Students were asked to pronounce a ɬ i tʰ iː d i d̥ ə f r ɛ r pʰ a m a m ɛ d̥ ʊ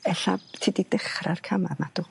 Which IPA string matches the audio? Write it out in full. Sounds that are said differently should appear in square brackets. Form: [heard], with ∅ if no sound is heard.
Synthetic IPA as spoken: [ɛ] ɬ [a] tʰ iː d i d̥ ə [χ] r [a] r [kʰ] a m a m [a] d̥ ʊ